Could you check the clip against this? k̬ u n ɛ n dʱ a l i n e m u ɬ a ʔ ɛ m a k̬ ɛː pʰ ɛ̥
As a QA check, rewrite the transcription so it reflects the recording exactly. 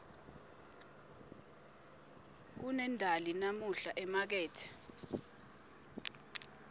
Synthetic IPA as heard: k̬ u n ɛ n dʱ a l i n a m u ɬ a ʔ ɛ m a k̬ ɛː tʰ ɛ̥